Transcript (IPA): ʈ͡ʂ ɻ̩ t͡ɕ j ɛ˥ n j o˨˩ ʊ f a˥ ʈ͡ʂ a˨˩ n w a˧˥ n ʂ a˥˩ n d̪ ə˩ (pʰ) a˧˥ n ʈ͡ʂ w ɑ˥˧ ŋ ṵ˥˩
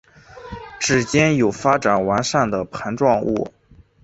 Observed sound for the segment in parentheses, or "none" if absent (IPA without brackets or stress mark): pʰ